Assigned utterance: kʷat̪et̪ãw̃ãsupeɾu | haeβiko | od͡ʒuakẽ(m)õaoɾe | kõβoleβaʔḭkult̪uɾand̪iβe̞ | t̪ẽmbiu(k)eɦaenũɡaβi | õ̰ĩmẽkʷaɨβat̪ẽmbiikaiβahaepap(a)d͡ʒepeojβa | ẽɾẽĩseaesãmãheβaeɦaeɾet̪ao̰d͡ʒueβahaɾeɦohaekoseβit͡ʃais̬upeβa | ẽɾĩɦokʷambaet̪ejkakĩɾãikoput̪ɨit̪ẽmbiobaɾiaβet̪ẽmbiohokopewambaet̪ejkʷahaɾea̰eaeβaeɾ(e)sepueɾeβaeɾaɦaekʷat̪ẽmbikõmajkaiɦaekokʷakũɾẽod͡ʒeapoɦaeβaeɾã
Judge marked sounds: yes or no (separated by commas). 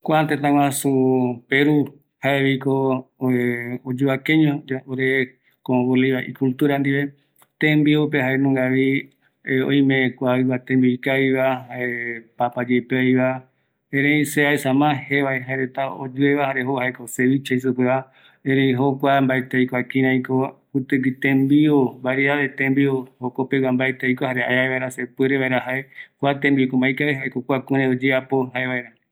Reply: no, no, yes, no